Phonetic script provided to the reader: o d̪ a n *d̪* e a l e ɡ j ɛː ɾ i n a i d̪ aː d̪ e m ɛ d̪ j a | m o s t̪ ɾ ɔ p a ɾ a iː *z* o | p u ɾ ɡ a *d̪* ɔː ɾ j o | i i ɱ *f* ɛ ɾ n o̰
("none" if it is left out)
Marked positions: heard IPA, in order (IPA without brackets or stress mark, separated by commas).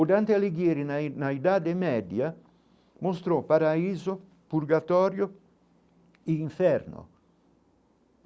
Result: t̪, z, t̪, f